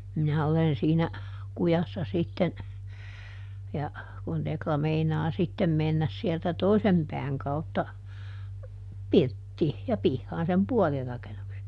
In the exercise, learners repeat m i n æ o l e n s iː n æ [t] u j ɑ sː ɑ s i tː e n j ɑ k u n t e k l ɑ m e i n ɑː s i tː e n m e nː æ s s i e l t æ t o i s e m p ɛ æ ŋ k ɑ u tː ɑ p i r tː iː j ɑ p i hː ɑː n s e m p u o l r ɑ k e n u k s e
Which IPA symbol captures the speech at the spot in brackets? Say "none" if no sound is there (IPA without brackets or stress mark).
k